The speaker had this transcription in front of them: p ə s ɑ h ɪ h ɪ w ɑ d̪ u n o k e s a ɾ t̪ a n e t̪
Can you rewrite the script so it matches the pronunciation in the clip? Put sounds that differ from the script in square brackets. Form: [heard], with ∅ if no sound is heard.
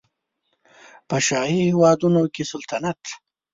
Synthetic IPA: p ə [ʃ] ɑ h [i] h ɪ w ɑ d̪ u n o k e s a [l] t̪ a n [a] t̪